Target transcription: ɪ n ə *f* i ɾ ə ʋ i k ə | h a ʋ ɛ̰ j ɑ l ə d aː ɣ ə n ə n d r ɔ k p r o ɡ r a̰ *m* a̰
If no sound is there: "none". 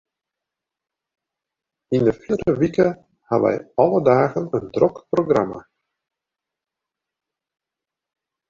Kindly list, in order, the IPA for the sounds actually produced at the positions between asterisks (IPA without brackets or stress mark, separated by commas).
f, m